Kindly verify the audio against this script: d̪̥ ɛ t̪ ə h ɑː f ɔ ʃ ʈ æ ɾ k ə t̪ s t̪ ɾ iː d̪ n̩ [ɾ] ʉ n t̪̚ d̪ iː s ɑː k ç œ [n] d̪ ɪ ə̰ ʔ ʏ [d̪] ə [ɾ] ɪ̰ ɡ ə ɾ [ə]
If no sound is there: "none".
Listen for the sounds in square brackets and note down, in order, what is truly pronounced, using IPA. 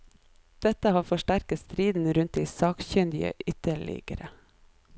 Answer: ɾ, n, t̪, ɭ, ə

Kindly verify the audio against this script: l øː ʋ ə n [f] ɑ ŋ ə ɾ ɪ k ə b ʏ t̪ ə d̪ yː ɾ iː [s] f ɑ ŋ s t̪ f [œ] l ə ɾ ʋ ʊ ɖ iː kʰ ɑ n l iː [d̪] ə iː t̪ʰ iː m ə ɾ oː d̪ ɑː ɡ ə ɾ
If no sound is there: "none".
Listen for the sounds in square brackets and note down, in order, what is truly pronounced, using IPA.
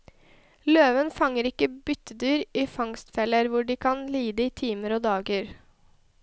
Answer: f, none, ɛ, d̪

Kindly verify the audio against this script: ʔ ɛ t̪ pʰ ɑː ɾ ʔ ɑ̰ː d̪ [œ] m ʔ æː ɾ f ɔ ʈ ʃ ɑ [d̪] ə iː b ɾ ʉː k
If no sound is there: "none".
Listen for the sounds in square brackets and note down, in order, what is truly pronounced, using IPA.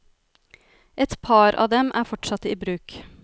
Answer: ɛ, t̪

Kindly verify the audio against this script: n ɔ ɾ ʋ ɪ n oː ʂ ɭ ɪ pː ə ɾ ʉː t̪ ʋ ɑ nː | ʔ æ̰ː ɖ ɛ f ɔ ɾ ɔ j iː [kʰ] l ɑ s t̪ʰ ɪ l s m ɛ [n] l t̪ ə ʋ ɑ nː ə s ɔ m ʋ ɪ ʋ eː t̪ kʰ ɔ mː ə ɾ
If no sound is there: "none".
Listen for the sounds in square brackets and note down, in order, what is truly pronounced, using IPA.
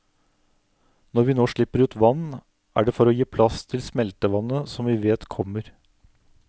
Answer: pʰ, none

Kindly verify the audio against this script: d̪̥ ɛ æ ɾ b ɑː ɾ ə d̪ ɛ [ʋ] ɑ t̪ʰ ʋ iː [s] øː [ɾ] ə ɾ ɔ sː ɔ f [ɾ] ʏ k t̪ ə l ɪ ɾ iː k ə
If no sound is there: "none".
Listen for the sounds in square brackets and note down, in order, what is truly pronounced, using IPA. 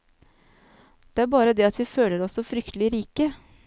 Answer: none, f, l, ɾ

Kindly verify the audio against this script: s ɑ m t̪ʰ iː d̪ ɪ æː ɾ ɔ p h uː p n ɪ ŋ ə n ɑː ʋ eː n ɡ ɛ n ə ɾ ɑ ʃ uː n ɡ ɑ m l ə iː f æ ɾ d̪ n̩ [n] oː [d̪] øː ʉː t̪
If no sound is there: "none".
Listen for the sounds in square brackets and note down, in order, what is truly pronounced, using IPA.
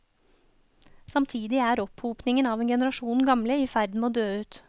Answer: m, d̪

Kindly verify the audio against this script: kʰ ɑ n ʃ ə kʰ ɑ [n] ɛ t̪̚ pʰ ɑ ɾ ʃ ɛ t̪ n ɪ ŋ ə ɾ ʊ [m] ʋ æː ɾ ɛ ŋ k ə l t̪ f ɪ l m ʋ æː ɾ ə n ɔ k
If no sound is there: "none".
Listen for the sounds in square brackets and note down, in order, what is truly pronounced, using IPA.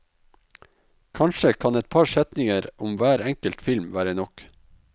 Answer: n, m

